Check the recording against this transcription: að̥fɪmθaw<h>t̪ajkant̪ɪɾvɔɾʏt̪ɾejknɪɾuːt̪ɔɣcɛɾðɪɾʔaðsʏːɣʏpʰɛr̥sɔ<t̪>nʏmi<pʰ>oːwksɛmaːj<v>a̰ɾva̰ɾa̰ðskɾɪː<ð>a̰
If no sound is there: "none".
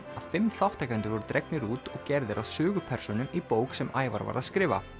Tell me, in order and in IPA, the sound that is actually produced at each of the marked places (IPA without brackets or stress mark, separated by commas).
h, none, p, v, v